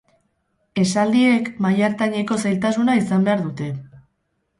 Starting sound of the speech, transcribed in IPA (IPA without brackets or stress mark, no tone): e̞